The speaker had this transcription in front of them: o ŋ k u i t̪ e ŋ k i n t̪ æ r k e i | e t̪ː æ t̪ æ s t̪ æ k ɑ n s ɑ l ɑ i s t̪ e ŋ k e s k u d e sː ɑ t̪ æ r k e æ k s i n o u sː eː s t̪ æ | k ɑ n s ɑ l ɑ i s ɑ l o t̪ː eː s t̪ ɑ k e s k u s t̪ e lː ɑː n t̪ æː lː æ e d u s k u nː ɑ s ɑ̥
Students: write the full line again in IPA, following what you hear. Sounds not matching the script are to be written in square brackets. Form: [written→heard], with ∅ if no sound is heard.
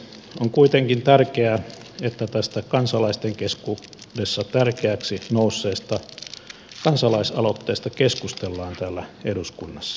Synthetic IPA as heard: o ŋ k u i t̪ e ŋ k i n t̪ æ r k e [i→æ] | e t̪ː æ t̪ æ s t̪ æ k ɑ n s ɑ l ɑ i s t̪ e ŋ k e s k u d e sː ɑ t̪ æ r k e æ k s i n o u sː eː s t̪ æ | k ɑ n s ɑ l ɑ i s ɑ l o t̪ː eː s t̪ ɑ k e s k u s t̪ e lː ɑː n t̪ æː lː æ e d u s k u nː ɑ [s→sː] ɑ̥